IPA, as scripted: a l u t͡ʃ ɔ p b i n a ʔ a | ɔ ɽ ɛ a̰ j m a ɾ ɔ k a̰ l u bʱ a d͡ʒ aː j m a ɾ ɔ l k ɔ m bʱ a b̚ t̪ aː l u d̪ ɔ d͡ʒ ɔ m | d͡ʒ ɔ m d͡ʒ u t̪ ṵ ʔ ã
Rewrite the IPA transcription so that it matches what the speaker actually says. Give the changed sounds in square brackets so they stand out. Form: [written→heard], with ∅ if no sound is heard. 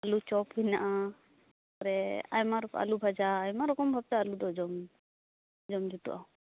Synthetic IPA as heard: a l u t͡ʃ ɔ p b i n a ʔ a | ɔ [ɽ→ɾ] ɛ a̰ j m a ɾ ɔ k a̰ l u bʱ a d͡ʒ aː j m a ɾ ɔ [l→∅] k ɔ m bʱ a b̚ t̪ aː l u d̪ ɔ d͡ʒ ɔ m | d͡ʒ ɔ m d͡ʒ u t̪ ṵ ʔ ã

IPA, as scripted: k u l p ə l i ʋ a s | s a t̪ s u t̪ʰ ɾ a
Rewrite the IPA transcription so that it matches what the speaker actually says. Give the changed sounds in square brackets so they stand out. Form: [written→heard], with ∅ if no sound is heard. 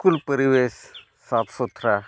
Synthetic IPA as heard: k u l p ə [l→ɾ] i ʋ [a→e] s | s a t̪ s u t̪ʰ ɾ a

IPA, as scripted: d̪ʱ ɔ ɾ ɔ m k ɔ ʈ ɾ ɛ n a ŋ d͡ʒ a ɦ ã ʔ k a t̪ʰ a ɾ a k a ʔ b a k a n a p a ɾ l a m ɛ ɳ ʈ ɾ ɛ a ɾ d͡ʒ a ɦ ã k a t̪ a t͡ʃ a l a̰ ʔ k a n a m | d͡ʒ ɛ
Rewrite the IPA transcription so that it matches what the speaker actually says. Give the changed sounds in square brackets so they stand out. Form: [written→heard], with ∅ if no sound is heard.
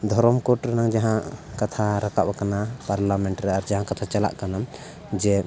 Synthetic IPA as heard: d̪ʱ ɔ ɾ ɔ m k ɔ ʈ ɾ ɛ n a ŋ d͡ʒ a ɦ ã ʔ k a t̪ʰ a ɾ a k a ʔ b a k a n a p a ɾ l a m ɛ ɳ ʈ ɾ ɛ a ɾ d͡ʒ a ɦ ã k a [t̪→t̪ʰ] a t͡ʃ a l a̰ ʔ k a n a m | d͡ʒ ɛ

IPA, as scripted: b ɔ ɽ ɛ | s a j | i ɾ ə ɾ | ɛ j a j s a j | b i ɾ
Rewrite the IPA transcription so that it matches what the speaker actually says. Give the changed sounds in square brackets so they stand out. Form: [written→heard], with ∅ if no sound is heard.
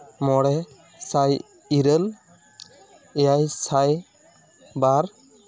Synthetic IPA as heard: [b→m] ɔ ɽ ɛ | s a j | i ɾ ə [ɾ→l] | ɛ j a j s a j | b [i→a] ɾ

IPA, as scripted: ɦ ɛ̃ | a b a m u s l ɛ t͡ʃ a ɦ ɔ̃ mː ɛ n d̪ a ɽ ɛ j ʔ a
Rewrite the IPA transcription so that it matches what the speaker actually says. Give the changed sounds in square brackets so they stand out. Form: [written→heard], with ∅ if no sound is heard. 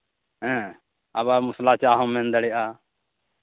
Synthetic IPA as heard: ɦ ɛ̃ | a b a m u s l [ɛ→a] t͡ʃ a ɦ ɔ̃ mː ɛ n d̪ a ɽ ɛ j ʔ a

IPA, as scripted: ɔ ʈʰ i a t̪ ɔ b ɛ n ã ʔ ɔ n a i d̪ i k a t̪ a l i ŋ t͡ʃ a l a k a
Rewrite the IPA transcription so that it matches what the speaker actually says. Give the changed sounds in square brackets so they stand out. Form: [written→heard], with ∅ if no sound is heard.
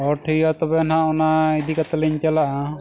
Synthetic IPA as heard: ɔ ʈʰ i a t̪ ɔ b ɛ n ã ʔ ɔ n a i d̪ i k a t̪ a l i [ŋ→ɲ] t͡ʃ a l a [k→ʔ] a

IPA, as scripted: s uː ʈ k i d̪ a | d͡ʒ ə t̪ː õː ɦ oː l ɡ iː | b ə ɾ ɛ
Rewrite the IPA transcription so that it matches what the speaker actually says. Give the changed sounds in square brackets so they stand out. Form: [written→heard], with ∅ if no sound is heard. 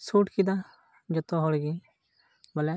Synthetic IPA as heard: s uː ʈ k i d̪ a | d͡ʒ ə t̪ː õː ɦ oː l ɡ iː | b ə [ɾ→l] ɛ

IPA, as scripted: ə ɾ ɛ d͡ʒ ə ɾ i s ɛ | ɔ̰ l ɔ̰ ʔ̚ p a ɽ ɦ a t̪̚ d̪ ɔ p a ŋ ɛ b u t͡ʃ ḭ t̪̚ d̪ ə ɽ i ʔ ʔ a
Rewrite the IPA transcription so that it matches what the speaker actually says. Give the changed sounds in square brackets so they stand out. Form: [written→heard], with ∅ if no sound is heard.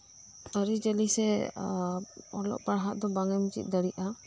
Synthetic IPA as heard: ə ɾ [ɛ→i] d͡ʒ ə [ɾ→l] i s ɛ | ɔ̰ l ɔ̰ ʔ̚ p a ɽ ɦ a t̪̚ d̪ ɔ [p→b] a ŋ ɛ [b→m] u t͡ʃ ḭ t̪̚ d̪ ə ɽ i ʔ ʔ a

